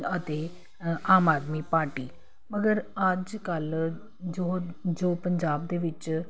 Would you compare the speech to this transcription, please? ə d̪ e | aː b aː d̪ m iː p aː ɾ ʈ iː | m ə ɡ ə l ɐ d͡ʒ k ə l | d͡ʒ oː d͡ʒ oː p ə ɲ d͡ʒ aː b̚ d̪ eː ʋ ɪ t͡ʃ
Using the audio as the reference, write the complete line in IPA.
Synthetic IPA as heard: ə t̪ e | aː m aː d̪ m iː p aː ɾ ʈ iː | m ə ɡ ə ɾ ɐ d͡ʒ k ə l | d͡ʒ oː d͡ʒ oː p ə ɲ d͡ʒ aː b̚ d̪ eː ʋ ɪ t͡ʃ